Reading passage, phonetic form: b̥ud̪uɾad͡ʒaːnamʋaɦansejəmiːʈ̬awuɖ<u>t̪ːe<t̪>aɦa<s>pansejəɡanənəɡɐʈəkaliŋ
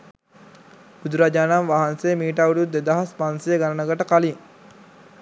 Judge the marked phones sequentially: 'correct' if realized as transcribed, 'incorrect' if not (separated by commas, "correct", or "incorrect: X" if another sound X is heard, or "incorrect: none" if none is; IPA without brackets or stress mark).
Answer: correct, incorrect: d̪, correct